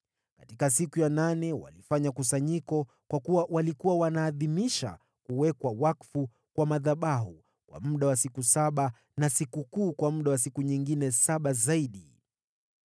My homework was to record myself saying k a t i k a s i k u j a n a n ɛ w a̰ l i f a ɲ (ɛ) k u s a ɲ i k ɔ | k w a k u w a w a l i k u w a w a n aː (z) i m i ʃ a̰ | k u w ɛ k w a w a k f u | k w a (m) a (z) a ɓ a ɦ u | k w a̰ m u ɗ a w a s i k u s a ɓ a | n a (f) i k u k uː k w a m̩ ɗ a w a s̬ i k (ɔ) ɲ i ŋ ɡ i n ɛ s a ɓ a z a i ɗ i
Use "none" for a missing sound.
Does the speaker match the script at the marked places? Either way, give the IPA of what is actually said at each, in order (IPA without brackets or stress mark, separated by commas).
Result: a, ð, m, ð, s, u